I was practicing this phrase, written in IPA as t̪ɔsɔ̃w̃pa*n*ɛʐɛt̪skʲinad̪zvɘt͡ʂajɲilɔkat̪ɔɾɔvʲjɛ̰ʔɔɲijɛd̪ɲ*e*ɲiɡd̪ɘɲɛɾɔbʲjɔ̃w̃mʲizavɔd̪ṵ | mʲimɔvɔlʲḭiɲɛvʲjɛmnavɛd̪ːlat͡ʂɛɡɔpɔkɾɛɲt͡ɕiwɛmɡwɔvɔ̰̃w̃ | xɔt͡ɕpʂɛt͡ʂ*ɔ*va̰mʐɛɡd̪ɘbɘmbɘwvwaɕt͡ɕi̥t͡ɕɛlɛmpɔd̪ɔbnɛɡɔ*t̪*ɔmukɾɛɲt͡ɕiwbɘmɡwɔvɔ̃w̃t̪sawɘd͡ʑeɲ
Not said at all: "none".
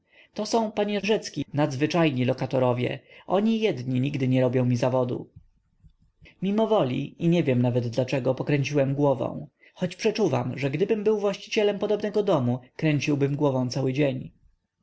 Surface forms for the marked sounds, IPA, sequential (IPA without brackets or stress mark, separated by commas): ɲ, i, u, d̪